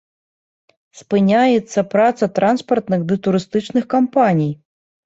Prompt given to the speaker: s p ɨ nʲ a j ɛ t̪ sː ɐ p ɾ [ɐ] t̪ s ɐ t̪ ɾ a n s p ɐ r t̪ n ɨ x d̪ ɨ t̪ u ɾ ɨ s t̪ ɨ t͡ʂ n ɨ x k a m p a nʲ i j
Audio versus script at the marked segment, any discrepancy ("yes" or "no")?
yes